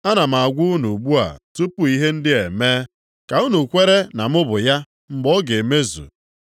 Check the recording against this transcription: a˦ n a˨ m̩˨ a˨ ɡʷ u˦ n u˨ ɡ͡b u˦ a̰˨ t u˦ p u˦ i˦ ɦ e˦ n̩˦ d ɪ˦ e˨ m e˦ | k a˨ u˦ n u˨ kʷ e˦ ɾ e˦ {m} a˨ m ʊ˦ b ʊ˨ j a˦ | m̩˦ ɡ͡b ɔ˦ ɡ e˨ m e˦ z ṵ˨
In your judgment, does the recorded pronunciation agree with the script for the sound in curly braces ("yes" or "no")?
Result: no